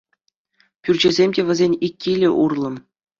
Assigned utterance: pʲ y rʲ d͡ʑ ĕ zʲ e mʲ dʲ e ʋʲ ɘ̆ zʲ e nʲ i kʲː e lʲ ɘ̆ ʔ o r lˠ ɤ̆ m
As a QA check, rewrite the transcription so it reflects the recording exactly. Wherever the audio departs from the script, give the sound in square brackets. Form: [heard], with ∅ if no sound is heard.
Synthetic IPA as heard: pʲ y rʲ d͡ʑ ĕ zʲ e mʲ dʲ e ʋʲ ɘ̆ zʲ e nʲ i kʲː [i] lʲ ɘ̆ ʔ [u] r lˠ ɤ̆ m